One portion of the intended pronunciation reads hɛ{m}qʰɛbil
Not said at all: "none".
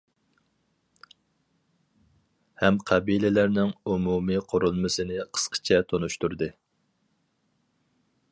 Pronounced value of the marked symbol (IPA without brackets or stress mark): m